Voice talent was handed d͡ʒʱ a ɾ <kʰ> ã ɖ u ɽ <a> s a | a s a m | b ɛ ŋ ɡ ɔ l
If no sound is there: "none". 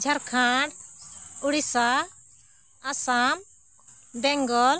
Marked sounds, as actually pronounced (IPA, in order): kʰ, i

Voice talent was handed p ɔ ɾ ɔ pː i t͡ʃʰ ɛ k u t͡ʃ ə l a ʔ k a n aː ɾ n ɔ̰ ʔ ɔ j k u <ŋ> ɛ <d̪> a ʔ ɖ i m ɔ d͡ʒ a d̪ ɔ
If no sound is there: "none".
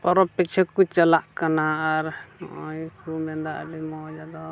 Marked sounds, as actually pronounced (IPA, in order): m, d̪

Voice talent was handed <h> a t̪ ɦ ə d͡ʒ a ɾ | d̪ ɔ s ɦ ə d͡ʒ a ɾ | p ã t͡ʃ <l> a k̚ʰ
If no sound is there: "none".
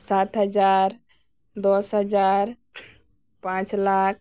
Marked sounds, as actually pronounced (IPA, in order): s, l

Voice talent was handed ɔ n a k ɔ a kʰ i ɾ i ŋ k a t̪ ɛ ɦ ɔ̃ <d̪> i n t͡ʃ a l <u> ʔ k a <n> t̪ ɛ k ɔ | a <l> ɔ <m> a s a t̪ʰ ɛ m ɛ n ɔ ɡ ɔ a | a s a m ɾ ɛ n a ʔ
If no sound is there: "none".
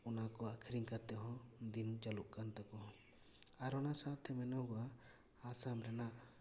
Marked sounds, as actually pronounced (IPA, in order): d̪, u, n, ɾ, n

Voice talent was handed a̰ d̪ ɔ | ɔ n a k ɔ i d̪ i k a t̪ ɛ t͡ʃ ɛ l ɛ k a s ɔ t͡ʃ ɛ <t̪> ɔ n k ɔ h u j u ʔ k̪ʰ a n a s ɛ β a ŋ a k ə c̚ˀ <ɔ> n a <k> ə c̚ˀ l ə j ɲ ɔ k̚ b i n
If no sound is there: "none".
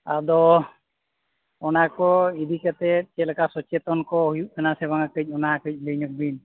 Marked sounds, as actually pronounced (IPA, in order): t̪, ɔ, k

